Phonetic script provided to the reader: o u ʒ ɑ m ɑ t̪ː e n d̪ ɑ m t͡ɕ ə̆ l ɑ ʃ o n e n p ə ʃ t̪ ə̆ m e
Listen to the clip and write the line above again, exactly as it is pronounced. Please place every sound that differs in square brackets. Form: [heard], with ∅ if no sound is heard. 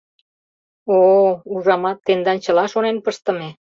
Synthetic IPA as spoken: o u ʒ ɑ m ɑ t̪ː e n d̪ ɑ [n] t͡ɕ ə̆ l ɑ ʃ o n e n p ə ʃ t̪ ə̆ m e